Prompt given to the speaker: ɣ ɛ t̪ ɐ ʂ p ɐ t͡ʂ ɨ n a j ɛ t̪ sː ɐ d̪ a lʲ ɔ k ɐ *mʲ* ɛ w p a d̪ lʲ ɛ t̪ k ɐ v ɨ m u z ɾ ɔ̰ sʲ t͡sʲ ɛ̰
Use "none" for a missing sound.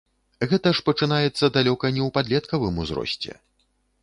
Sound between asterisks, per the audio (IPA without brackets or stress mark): nʲ